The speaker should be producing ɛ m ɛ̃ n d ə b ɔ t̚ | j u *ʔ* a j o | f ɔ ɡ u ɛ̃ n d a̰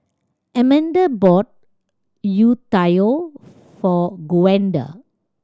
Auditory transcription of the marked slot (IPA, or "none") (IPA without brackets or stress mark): t